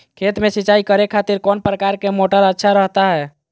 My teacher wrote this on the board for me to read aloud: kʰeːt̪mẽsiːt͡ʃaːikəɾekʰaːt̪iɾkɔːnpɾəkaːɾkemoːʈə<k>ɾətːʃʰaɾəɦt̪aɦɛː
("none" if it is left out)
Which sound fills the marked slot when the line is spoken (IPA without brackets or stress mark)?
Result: none